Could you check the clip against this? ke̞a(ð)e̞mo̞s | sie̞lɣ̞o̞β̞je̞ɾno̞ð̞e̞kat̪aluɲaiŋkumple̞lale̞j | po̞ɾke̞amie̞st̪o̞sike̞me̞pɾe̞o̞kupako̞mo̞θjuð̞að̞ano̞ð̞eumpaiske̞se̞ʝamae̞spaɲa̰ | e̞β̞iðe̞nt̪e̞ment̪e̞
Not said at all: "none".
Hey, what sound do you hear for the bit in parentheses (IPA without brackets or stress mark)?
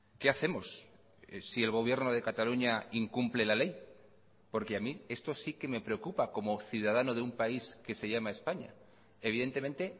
θ